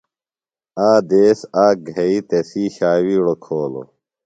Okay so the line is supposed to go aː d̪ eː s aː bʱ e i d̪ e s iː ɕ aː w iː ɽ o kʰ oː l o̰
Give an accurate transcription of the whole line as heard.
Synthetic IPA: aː d̪ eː s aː ɡʱ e i t̪ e s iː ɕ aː w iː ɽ o kʰ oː l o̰